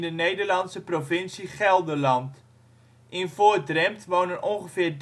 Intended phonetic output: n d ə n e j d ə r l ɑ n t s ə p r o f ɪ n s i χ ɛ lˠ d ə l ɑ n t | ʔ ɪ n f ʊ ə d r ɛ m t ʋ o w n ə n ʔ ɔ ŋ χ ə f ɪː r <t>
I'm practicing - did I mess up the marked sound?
yes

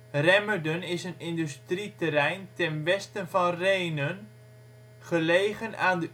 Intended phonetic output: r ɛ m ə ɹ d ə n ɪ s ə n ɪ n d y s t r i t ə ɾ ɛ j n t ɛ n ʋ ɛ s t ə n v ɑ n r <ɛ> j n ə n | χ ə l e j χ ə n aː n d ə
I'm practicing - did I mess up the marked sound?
yes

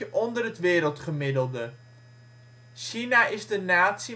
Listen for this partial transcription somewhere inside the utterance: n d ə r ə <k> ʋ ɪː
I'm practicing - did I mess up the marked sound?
yes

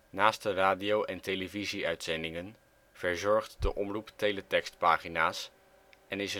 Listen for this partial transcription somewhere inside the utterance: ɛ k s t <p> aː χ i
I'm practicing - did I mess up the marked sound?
no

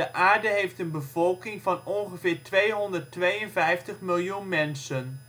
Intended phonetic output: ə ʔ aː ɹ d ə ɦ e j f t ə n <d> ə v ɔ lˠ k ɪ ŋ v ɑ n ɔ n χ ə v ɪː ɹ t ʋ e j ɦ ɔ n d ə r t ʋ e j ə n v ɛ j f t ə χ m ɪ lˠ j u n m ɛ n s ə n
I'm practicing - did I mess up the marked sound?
yes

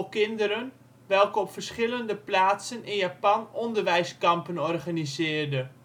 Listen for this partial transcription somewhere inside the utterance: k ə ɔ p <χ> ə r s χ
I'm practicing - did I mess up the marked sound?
yes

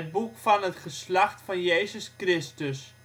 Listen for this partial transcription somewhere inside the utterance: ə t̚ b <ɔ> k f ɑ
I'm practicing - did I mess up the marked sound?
yes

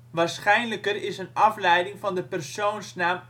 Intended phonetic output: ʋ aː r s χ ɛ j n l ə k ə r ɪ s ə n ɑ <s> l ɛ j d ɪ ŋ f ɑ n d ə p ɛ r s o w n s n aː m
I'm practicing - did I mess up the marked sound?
yes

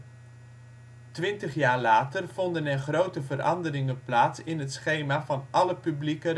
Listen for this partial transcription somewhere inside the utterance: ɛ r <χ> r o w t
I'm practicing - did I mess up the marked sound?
no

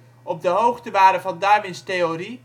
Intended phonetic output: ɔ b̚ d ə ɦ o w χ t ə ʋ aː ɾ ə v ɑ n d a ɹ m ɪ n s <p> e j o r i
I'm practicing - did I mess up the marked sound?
yes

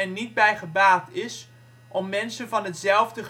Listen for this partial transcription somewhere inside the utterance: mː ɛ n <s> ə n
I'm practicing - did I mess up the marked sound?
no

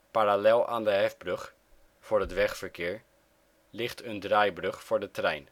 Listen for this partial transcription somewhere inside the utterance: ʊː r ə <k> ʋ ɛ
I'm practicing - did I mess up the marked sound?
yes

